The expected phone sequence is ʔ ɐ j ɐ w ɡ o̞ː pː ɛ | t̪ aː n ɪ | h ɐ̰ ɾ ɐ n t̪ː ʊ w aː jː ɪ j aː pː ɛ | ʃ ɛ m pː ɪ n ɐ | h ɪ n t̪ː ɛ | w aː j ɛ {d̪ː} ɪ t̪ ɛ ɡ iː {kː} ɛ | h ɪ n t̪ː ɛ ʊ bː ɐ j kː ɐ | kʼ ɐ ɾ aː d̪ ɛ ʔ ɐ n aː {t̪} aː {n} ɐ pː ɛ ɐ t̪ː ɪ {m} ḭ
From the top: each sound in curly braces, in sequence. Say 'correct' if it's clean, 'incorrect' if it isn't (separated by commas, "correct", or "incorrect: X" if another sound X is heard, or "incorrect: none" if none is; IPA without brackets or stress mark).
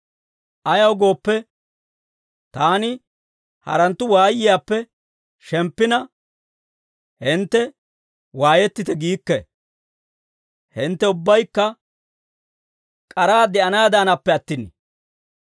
incorrect: t̪ː, correct, incorrect: d̪, correct, incorrect: n